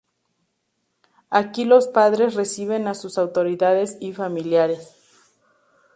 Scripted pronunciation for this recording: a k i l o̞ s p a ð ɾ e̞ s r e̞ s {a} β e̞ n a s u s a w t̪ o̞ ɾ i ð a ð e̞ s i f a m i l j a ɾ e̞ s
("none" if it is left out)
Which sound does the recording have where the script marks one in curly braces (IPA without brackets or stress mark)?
i